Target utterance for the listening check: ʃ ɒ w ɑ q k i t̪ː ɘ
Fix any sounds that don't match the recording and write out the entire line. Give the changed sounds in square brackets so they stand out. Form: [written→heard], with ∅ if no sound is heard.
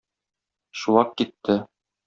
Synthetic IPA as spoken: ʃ [ɒ→u] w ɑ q k i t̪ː ɘ